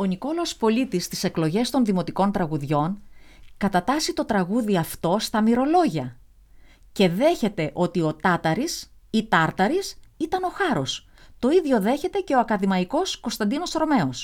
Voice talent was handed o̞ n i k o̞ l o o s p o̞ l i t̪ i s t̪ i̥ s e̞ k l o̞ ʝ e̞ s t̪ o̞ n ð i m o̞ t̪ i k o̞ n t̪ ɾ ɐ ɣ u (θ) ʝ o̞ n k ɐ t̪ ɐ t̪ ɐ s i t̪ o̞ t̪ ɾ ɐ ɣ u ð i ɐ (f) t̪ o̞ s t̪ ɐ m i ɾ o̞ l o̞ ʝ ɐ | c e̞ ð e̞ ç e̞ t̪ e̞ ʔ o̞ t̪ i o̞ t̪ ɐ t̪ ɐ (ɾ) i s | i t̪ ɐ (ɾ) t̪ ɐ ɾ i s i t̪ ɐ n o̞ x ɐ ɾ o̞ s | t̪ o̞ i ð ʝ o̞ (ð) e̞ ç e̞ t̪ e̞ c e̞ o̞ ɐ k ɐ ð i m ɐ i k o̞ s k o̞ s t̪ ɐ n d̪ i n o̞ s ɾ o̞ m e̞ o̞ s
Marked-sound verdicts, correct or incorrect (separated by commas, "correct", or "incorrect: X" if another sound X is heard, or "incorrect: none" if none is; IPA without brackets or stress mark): incorrect: ð, correct, correct, correct, correct